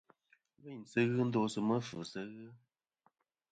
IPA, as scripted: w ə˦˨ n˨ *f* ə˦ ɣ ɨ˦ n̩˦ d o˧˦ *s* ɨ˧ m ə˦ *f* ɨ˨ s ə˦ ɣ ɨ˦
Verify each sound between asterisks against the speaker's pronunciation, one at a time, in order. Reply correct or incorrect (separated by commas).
incorrect, correct, correct